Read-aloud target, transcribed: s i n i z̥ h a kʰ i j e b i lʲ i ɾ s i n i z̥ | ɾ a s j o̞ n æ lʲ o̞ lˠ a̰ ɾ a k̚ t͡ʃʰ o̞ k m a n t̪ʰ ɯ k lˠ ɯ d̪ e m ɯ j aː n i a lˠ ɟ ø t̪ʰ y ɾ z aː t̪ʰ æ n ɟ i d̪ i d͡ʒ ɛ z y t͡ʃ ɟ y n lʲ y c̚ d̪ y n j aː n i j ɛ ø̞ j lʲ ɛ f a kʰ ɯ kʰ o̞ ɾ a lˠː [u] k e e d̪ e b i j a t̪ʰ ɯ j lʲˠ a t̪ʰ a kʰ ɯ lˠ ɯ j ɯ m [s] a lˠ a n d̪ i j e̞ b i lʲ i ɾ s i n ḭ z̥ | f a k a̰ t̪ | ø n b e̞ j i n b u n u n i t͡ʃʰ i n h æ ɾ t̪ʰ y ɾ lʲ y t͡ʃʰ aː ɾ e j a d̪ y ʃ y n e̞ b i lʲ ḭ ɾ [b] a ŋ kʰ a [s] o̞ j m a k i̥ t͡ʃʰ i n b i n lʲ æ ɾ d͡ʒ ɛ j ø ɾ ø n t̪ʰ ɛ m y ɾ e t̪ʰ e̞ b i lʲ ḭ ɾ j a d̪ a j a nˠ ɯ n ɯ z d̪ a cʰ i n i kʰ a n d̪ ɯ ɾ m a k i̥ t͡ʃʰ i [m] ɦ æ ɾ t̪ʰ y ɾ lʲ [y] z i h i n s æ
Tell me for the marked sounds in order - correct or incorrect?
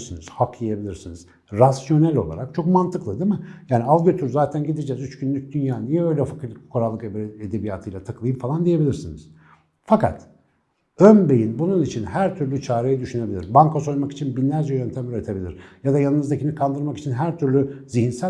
incorrect, incorrect, correct, correct, incorrect, correct

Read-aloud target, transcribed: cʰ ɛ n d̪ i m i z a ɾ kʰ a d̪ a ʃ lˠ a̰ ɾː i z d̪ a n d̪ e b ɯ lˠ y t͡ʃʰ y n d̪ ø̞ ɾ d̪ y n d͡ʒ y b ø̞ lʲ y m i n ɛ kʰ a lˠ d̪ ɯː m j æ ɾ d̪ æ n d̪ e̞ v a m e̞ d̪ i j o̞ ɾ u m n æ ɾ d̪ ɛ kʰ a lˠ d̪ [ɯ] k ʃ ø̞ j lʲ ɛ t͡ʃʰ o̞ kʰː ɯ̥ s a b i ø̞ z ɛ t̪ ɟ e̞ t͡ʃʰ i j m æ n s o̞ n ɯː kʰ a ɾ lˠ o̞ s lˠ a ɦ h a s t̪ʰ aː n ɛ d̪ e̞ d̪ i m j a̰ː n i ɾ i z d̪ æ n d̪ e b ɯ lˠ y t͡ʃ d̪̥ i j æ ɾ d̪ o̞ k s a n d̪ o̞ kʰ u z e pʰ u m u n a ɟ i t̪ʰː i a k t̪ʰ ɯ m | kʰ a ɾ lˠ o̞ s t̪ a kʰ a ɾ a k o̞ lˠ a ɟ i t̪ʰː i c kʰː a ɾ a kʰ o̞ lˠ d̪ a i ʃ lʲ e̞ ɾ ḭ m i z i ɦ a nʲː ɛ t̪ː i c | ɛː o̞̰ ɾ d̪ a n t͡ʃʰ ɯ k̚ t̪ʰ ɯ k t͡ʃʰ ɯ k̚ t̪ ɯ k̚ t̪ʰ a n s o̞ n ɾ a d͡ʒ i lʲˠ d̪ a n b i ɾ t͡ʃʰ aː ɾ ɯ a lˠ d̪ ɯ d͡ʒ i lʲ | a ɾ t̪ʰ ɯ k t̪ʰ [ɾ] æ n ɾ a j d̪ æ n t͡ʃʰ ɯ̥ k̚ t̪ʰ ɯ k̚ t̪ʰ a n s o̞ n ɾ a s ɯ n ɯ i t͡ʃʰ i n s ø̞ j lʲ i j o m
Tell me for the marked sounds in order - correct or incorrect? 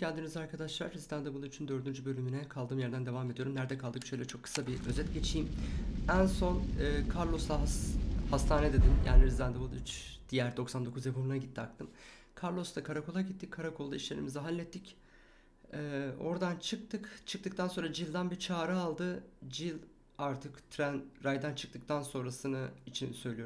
correct, correct

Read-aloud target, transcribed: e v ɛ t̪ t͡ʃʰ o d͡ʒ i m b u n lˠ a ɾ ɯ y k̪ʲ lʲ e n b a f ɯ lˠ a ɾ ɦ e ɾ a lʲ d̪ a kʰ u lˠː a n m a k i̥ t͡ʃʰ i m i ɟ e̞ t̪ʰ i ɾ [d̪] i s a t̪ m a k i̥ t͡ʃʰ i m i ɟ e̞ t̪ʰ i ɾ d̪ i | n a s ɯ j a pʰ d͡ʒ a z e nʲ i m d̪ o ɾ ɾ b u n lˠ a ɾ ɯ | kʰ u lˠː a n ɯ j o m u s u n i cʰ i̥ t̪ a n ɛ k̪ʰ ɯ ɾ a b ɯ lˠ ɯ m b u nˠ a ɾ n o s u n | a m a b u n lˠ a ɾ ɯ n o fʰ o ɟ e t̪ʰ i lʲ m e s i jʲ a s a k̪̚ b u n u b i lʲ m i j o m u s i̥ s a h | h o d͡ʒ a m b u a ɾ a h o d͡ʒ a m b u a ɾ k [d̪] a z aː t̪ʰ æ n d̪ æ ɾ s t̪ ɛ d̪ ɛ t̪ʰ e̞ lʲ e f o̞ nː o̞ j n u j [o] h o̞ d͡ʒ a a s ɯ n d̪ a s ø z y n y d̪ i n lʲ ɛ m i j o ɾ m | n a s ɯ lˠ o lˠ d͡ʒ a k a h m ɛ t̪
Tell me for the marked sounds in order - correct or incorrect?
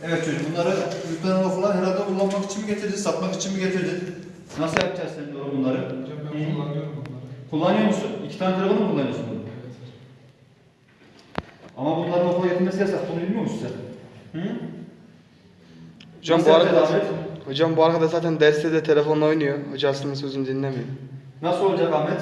correct, correct, correct

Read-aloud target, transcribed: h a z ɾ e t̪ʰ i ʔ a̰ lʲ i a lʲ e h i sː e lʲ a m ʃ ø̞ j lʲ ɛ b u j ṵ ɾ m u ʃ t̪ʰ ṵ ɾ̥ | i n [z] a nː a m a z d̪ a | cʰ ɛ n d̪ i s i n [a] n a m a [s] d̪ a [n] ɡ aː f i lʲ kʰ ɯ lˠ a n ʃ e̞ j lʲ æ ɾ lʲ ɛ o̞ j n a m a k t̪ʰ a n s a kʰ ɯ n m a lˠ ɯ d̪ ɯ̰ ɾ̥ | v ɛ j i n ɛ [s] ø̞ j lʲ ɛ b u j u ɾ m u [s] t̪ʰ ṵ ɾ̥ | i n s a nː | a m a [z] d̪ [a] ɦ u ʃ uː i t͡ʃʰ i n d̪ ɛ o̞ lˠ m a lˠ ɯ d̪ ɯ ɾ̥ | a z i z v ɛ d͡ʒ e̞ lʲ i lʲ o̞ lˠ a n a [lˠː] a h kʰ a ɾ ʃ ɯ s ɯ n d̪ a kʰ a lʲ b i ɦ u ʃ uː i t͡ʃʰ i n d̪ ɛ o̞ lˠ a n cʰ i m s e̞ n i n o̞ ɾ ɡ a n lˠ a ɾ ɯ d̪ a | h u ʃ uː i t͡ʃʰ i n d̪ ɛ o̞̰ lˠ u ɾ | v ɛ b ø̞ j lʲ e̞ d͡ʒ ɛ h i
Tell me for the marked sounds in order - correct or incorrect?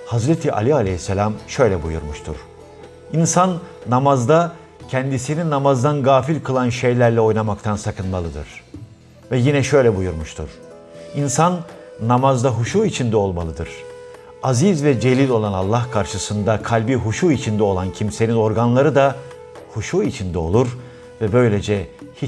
incorrect, incorrect, incorrect, correct, incorrect, incorrect, correct, correct, correct

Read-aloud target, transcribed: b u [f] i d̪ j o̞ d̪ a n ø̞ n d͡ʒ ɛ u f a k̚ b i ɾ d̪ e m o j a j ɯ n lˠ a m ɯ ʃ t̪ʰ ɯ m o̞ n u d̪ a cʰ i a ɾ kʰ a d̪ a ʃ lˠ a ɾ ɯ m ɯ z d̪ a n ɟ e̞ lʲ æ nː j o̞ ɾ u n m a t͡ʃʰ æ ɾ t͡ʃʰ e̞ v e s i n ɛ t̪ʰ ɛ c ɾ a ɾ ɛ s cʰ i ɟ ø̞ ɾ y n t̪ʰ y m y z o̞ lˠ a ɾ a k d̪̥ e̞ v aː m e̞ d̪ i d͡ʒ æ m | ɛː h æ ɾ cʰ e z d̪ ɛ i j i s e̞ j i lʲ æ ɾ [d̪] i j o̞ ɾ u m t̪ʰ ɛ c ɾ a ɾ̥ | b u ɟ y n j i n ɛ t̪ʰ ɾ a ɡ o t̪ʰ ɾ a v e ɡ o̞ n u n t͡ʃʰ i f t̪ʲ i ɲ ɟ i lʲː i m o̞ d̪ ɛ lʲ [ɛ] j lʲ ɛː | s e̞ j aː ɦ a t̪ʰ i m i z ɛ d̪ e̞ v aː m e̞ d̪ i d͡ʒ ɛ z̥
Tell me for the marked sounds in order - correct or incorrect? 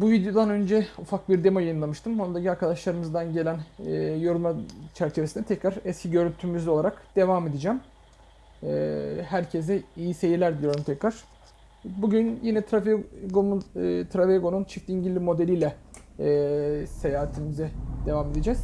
incorrect, correct, incorrect

